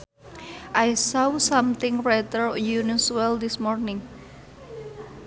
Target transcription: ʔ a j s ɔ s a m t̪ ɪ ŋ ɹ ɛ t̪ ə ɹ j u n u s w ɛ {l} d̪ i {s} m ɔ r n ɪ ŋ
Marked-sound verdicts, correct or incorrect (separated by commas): correct, correct